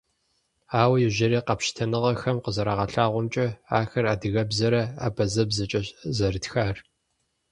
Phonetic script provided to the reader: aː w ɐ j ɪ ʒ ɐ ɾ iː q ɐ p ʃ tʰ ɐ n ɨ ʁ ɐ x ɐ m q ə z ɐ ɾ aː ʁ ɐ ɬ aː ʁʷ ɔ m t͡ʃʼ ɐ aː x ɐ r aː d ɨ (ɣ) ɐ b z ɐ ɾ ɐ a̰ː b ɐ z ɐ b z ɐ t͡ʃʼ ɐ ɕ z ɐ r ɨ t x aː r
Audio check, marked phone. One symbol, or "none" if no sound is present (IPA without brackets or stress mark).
ɣ